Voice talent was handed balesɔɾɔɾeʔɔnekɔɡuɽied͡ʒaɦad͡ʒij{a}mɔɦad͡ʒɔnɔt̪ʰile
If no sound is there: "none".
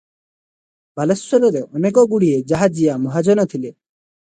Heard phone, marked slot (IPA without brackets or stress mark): a